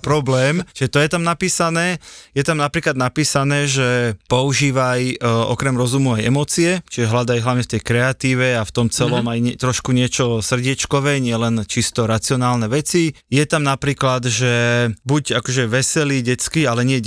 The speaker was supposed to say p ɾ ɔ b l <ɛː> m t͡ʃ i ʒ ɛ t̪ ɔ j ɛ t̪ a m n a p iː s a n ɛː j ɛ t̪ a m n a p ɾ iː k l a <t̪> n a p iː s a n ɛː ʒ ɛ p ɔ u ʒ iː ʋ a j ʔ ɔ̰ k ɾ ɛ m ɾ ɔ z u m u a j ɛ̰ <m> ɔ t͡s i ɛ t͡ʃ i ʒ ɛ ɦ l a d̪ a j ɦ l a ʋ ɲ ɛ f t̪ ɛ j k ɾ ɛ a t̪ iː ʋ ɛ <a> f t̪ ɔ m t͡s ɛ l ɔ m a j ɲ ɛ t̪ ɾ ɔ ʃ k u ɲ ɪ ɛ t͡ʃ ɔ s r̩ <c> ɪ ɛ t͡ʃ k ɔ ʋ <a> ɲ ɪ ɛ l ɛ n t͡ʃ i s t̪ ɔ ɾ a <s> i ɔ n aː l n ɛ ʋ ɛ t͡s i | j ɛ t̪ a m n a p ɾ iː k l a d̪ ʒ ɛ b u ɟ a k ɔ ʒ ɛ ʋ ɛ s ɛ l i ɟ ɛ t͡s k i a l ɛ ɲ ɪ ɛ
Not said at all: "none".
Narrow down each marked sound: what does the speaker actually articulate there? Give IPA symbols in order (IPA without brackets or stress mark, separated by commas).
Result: ɛː, d̪, m, a, ɟ, ɛ, t͡s